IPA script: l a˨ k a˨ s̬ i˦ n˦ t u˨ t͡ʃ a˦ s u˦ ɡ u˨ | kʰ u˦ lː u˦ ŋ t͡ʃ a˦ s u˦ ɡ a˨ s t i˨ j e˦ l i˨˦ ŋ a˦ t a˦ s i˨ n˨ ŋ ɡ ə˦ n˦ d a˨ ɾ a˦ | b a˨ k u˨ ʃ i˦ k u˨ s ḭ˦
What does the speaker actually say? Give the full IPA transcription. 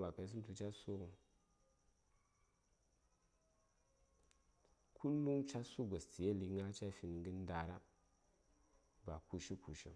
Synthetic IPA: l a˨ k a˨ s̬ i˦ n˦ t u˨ t͡ʃ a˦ s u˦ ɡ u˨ | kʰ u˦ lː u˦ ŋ t͡ʃ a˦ s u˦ ɡ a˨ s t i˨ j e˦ l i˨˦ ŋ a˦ t͡ʃ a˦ f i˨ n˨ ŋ ɡ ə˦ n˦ d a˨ ɾ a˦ | b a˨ k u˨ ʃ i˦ k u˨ ʃ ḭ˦